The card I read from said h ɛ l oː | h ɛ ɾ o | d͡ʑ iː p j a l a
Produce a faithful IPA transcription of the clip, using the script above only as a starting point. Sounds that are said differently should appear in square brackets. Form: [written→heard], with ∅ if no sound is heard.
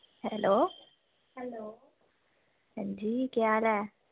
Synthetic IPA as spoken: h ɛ l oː | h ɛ [ɾ→l] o | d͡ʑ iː [p→k] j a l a